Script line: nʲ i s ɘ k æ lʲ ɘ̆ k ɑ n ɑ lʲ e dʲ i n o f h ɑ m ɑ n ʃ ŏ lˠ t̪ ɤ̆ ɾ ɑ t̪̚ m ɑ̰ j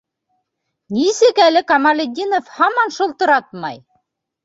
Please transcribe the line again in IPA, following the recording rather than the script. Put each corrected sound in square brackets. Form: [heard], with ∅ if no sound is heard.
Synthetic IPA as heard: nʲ i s ɘ k æ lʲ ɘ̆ k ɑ [m] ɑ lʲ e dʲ i n o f h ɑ m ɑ n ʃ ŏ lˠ t̪ ɤ̆ ɾ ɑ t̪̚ m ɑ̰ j